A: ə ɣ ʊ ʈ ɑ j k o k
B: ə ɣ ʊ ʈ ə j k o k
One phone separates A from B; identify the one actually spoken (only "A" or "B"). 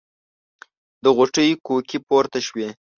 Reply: B